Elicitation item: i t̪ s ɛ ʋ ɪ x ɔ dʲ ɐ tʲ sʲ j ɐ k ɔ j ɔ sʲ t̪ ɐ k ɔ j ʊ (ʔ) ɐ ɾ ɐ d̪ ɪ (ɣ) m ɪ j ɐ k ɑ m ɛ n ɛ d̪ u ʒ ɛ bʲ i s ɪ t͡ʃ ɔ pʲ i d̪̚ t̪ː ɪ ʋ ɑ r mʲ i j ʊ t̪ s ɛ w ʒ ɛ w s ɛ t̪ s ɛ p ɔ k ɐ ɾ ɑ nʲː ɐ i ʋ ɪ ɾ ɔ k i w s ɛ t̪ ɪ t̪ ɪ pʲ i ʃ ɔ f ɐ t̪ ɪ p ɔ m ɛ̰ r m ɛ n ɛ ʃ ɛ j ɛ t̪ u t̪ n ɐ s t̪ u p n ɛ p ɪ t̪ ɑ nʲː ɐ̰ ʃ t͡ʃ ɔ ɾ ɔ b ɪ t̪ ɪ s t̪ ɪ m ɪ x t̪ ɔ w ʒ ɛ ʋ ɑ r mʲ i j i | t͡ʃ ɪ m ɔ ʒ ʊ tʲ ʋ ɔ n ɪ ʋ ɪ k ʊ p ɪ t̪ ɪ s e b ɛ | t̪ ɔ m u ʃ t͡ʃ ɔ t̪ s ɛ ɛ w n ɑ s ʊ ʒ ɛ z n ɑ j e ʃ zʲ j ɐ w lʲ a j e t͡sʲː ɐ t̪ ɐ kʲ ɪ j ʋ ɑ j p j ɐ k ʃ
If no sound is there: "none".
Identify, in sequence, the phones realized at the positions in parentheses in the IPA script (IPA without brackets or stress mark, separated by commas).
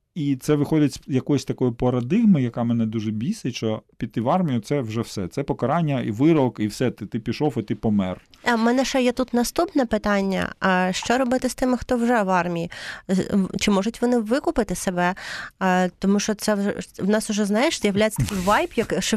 p, ɣ